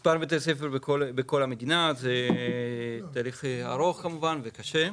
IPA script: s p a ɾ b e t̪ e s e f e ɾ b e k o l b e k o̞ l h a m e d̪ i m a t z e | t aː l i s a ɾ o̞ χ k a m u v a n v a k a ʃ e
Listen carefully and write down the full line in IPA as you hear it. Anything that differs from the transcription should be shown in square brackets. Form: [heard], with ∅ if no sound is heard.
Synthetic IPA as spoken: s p a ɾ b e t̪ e s e f e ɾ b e k o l b e k o̞ l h a m e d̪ i [n] a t z e | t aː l i [χ] a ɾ o̞ χ k a m u v a n v [e] k a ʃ e